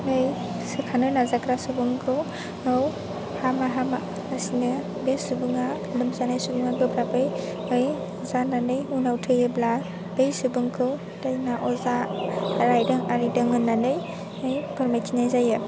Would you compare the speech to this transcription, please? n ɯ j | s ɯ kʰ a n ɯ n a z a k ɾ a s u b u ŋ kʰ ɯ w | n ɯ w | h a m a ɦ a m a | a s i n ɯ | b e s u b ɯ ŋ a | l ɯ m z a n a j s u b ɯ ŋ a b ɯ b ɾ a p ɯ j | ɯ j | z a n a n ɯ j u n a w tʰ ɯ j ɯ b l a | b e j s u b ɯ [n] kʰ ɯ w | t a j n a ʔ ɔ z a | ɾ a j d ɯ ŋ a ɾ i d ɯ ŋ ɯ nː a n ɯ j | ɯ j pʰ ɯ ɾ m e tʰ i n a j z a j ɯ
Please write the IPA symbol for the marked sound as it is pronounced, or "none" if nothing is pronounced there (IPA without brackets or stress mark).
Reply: ŋ